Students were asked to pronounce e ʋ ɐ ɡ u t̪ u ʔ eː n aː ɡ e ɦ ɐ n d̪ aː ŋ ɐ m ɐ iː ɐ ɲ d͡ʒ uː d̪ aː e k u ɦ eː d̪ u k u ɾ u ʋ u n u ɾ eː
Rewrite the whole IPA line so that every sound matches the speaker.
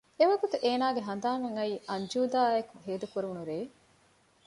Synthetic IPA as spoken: e ʋ ɐ ɡ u t̪ u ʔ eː n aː ɡ e ɦ ɐ n d̪ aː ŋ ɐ ŋ ɐ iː ɐ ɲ d͡ʒ uː d̪ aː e k u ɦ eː d̪ u k u ɾ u ʋ u n u ɾ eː